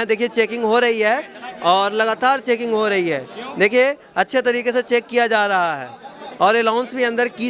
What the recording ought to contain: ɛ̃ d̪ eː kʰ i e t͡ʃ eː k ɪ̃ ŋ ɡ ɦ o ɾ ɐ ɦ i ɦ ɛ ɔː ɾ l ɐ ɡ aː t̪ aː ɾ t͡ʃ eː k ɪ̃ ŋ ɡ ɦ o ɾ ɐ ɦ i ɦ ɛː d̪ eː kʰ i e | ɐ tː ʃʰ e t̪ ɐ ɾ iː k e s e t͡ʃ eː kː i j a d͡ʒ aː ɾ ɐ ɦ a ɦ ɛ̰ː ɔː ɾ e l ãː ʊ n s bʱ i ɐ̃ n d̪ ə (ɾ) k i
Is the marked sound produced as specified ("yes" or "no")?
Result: yes